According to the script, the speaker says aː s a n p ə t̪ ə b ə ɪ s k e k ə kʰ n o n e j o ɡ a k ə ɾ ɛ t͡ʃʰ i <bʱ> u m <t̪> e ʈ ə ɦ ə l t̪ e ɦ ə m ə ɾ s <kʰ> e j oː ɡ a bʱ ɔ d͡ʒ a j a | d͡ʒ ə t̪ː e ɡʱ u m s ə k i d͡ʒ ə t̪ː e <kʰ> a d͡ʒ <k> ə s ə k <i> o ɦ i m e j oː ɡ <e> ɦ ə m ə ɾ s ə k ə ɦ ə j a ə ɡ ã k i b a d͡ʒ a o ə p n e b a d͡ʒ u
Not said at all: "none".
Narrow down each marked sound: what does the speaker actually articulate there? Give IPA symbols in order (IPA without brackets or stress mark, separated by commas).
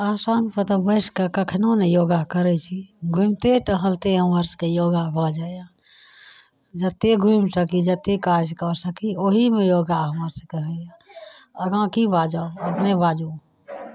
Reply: ɡʱ, t̪, k, k, k, i, a